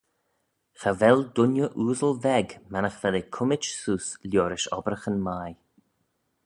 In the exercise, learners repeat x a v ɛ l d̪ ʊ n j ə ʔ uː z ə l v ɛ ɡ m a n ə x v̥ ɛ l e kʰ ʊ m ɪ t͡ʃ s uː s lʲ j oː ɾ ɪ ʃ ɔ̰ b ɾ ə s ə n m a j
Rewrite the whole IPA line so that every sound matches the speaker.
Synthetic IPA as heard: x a v ɛ l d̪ ʊ n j ə ʔ uː z ə l v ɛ ɡ m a n ə x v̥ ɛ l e kʰ ʊ m ɪ t͡ʃ s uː s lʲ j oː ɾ ɪ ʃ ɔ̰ b ɾ ə x ə n m a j

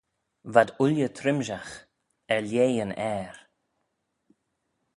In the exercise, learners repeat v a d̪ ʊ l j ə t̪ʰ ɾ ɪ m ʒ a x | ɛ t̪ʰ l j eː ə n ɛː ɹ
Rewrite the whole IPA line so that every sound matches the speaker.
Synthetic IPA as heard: v a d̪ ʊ l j ə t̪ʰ ɾ ɪ m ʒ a x | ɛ l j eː ə n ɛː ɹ

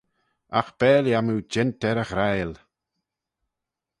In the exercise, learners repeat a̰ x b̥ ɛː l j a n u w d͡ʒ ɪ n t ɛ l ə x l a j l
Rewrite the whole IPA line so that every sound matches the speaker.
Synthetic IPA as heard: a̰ x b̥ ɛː l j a m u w d͡ʒ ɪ n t ɛ ɾ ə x ɾ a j l

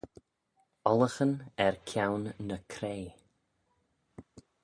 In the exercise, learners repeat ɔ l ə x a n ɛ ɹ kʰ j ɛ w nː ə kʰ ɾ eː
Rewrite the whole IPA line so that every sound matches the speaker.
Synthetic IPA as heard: ɔ l ə x ə n ɛ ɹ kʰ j a w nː ə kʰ ɾ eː

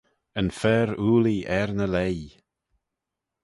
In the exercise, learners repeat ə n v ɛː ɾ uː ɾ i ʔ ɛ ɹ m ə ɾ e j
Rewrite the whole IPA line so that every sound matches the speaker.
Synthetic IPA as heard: ə n f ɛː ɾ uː l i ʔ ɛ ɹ n ə l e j

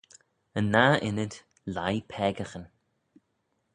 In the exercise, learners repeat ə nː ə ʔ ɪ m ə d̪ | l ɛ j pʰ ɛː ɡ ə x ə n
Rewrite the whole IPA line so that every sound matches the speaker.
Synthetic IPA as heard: ə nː a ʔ ɪ n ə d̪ | l a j pʰ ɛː ɡ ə x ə n

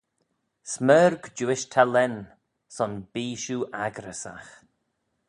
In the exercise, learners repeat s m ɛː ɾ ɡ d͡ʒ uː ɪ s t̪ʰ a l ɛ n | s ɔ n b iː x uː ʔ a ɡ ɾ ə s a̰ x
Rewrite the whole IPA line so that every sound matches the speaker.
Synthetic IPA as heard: s m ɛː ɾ ɡ d͡ʒ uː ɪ ʃ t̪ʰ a l ɛ n | s ɔ n b iː ʃ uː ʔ a ɡ ɾ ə s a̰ x

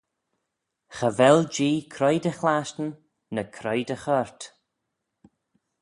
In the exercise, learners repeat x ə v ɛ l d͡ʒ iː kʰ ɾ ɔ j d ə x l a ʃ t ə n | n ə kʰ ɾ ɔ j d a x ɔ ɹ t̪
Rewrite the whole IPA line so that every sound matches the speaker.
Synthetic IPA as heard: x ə v ɛ l d͡ʒ iː kʰ ɾ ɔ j d ə x l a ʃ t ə n | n ə kʰ ɾ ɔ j d ə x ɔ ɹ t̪

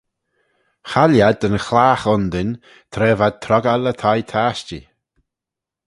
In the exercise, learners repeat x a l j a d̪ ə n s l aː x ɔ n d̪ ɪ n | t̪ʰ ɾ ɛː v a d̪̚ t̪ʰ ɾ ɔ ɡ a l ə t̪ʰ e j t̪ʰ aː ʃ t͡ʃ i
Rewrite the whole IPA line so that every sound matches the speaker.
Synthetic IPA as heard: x a l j a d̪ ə n x l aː x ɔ n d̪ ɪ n | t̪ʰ ɾ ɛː v a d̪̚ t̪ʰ ɾ ɔ ɡ a l ə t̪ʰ a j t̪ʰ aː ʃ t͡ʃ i

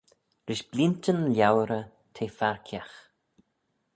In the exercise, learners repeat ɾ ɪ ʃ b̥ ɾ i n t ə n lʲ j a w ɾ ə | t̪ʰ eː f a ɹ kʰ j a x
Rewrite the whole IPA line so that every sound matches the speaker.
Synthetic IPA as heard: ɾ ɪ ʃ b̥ l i n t ə n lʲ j a w ɾ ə | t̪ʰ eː f a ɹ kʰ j a x

